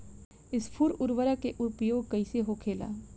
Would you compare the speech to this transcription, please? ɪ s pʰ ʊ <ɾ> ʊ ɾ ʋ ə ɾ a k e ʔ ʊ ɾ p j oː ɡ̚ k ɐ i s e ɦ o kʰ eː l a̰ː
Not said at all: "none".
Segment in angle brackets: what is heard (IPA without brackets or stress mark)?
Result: ɾ